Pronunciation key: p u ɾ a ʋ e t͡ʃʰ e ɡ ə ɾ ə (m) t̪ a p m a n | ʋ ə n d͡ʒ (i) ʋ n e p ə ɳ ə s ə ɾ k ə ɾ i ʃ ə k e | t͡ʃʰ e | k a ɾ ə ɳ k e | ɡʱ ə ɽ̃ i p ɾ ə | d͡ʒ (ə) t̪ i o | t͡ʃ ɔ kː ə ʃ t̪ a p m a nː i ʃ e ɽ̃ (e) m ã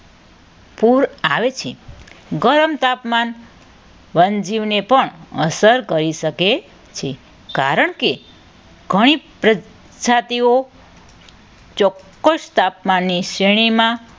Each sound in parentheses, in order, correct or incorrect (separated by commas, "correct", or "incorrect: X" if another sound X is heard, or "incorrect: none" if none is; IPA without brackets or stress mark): correct, correct, incorrect: a, incorrect: i